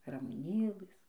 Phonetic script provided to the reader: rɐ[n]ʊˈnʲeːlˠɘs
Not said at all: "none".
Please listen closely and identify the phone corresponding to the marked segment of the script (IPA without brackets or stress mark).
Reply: m